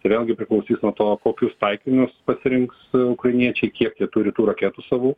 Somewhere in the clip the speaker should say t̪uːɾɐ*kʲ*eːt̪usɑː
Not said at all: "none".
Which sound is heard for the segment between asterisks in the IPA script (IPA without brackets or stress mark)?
kʲ